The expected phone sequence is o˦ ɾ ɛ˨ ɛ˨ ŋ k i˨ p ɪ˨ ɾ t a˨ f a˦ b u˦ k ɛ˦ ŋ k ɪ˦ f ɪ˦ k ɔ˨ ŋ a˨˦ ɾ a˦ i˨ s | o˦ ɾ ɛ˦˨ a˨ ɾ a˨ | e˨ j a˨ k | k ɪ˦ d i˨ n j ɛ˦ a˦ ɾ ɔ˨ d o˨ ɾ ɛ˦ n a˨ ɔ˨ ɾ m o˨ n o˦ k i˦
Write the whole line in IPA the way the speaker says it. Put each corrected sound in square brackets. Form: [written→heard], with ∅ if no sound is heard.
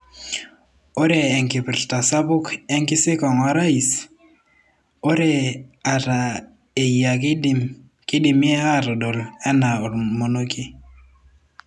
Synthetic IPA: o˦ ɾ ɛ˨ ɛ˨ ŋ k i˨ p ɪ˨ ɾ t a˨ [f→s] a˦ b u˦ k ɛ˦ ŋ k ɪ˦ [f→s] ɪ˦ k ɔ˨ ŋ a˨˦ ɾ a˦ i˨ s | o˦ ɾ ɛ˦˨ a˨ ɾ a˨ | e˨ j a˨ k | k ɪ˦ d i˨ [n→m] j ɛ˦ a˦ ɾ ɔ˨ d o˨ [ɾ→l] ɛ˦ n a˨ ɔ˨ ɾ m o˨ n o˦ k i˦